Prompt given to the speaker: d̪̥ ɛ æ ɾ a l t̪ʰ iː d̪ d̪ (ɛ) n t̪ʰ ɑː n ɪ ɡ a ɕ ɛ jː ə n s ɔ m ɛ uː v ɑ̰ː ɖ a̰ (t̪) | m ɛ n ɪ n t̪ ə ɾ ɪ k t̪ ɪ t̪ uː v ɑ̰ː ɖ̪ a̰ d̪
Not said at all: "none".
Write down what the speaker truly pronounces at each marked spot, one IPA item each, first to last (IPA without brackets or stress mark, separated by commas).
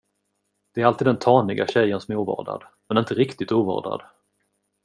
ɛ, d̪